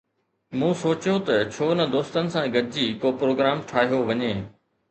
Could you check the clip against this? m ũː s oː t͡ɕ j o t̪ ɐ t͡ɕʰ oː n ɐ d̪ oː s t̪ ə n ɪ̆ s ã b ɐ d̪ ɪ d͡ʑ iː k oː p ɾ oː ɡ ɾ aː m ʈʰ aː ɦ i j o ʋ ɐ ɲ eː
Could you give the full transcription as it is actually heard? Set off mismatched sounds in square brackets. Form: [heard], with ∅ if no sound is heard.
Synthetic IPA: m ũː s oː t͡ɕ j o t̪ ɐ t͡ɕʰ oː n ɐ d̪ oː s t̪ ə n ɪ̆ s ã [ɡ] ɐ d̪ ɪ d͡ʑ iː k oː p ɾ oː ɡ ɾ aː m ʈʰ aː ɦ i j o ʋ ɐ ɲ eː